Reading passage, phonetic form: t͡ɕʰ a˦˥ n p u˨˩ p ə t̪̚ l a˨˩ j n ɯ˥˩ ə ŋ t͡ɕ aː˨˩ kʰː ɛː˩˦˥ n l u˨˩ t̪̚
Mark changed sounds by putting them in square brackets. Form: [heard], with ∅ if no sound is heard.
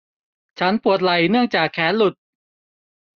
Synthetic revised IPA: t͡ɕʰ a˦˥ n p u˨˩ [∅] ə t̪̚ l a˨˩ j n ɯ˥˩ ə ŋ t͡ɕ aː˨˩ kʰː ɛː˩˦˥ n l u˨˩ t̪̚